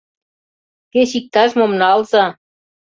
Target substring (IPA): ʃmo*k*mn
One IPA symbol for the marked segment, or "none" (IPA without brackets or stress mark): none